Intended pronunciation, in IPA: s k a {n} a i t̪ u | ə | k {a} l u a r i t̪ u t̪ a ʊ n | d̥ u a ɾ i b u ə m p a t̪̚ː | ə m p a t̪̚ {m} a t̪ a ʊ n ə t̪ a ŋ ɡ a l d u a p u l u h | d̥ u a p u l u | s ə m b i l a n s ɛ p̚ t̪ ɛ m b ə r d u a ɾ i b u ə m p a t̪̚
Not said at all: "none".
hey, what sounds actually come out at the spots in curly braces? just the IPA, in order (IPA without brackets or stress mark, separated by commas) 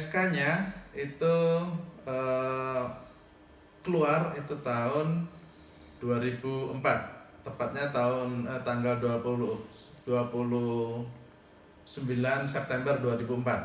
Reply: ɲ, ə, ɲ